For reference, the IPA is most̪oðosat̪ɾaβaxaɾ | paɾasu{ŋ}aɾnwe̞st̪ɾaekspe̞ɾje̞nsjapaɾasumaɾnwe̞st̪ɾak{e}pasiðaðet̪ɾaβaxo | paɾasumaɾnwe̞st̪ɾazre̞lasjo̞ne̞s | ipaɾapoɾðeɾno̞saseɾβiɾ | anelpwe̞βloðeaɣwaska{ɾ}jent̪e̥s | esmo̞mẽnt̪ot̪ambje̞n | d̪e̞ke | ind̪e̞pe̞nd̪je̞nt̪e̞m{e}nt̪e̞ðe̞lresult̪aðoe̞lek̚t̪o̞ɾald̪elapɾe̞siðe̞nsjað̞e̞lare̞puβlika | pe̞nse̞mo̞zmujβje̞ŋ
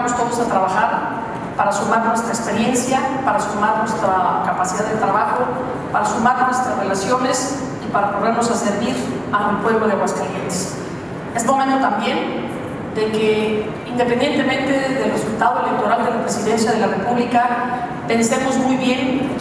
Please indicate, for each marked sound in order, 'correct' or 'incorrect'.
incorrect: m, incorrect: a, incorrect: l, incorrect: ẽ

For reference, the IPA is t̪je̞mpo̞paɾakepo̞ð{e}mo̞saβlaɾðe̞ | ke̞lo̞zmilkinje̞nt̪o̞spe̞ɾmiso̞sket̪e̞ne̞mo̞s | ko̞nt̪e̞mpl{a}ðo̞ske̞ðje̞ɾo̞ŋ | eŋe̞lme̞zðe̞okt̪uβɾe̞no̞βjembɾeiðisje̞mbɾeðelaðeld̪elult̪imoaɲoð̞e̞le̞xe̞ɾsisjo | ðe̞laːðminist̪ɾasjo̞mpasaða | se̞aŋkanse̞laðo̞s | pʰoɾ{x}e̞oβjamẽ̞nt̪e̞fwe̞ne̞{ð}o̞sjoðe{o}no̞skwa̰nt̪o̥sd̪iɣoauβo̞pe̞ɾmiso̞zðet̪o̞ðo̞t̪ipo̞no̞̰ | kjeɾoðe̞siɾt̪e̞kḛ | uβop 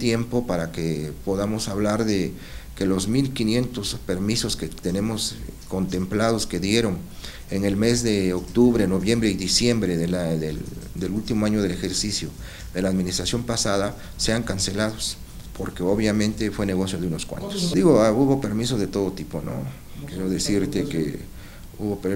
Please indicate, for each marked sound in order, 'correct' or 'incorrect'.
incorrect: a, correct, incorrect: k, incorrect: ɣ, incorrect: u

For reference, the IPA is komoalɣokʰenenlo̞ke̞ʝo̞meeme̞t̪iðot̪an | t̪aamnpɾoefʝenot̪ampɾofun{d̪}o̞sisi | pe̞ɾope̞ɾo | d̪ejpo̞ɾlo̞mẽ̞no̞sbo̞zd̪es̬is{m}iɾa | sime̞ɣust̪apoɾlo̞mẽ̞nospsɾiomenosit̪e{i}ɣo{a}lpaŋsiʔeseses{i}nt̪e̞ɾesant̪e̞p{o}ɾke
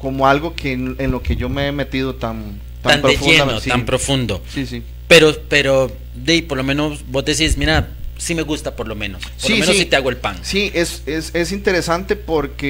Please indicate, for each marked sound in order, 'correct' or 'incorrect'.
correct, correct, incorrect: a, incorrect: e, correct, correct

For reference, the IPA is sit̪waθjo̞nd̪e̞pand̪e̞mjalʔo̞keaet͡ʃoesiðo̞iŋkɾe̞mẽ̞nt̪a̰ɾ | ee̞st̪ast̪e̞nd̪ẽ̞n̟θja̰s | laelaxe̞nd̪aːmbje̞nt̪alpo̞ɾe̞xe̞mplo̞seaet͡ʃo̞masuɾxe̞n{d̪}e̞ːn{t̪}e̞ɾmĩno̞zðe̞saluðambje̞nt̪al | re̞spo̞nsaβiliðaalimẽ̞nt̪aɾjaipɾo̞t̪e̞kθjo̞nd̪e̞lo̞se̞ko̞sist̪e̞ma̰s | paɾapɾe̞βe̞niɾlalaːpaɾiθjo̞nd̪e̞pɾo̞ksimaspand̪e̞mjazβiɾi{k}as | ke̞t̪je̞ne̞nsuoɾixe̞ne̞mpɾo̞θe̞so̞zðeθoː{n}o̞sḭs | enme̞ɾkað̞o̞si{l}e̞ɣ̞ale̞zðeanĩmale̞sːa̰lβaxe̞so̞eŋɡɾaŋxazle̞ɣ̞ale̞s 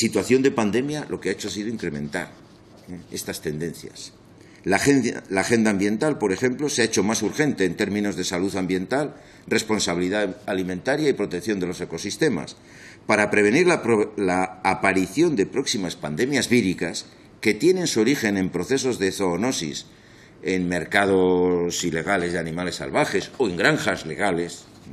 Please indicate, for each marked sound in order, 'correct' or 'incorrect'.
incorrect: t̪, correct, correct, correct, correct

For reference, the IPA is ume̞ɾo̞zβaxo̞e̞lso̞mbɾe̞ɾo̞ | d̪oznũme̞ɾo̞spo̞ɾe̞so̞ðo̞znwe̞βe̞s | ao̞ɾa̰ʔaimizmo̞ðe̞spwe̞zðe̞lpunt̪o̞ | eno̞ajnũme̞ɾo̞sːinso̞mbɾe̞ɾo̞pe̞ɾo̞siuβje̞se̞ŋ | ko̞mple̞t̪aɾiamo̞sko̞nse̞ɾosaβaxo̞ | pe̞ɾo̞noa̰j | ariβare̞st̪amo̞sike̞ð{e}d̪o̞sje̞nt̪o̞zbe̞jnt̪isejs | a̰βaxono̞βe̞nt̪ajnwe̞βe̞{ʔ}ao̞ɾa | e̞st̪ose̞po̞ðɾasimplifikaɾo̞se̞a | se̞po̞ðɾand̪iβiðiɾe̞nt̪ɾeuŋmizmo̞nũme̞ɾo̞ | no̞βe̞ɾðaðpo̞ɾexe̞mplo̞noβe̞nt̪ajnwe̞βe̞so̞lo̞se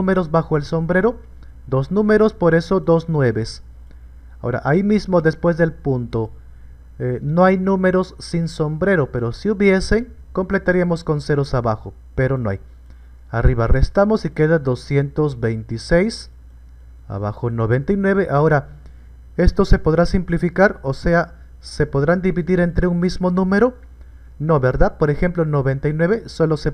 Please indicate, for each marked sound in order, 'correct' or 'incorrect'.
incorrect: a, correct

